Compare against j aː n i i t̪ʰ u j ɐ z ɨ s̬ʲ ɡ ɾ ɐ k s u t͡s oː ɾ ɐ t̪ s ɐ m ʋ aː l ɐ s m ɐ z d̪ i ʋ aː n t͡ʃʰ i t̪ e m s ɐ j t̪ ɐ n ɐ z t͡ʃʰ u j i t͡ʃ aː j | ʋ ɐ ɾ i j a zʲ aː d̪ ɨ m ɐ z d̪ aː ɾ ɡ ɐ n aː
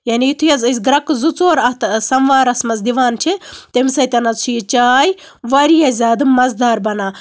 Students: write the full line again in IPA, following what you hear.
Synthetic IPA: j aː n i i t̪ʰ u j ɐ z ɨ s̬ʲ ɡ ɾ ɐ k z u t͡s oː ɾ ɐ t̪ s ɐ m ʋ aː ɾ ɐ s m ɐ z d̪ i ʋ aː n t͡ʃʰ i t̪ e m s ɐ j t̪ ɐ n ɐ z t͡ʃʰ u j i t͡ʃ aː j | ʋ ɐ ɾ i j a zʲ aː d̪ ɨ m ɐ z d̪ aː ɾ b ɐ n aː